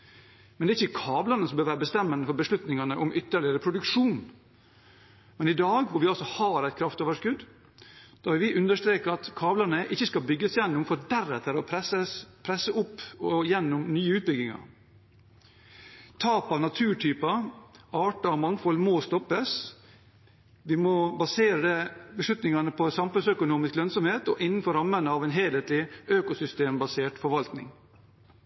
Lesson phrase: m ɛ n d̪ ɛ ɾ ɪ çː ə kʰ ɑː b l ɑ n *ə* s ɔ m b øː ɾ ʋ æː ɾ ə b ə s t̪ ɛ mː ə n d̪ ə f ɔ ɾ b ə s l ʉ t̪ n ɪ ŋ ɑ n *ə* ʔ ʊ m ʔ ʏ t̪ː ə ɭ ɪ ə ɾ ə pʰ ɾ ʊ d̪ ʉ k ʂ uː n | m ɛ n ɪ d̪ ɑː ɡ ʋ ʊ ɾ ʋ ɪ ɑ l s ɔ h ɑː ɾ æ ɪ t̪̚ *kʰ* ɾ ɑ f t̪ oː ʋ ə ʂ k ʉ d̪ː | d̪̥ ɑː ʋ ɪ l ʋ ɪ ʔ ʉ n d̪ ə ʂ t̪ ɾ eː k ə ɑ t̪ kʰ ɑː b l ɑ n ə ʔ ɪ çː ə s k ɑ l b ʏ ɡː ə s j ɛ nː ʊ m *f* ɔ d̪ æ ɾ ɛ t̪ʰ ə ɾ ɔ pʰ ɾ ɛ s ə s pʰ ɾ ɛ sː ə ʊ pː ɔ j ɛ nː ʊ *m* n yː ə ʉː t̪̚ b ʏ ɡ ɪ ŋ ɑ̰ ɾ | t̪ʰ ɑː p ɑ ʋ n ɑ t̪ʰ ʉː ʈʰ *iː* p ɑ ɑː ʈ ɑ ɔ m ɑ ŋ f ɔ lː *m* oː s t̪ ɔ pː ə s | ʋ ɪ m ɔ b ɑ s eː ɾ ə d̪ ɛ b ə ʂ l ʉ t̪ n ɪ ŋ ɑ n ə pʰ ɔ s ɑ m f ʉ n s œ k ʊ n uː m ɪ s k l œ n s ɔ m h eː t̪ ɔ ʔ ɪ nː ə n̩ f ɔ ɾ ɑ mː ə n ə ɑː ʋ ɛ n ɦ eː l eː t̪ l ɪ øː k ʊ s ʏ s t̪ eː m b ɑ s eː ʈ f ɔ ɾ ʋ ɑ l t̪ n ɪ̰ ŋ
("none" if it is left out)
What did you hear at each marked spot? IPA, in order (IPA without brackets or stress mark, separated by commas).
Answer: ə, ə, kʰ, f, m, yː, m